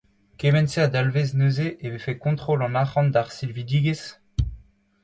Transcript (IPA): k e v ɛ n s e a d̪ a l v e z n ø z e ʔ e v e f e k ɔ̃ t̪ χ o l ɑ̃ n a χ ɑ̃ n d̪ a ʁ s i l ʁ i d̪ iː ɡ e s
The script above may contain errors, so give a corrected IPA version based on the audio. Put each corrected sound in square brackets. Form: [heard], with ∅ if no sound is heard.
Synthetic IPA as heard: k e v ɛ n s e a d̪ a l v e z n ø z e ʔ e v e f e k ɔ̃ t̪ χ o l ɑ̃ n a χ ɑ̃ n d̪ a ʁ s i l [v] i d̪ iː ɡ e s